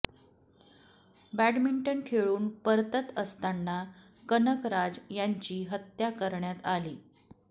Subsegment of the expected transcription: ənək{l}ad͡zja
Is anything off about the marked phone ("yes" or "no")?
yes